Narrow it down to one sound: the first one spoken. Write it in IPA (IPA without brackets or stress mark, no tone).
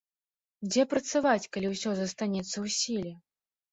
d͡zʲ